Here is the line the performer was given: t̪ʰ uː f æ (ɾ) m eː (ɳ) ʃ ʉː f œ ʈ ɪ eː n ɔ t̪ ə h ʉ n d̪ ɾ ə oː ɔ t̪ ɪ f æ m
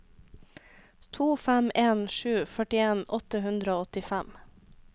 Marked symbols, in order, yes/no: no, no

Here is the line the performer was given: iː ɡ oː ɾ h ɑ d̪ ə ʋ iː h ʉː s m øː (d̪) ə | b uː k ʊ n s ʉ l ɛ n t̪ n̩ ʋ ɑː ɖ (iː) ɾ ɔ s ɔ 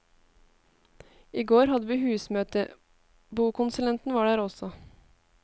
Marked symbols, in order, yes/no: no, no

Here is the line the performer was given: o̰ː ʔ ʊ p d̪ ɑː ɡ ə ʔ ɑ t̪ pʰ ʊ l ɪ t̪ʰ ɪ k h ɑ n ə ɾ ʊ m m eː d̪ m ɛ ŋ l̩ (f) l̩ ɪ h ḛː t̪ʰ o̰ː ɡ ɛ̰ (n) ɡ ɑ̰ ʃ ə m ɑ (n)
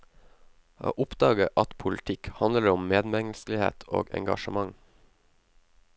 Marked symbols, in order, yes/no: no, no, no

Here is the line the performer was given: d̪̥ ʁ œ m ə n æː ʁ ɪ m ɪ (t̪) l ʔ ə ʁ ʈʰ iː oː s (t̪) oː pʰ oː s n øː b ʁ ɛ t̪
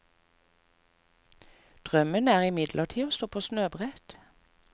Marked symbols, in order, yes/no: no, yes

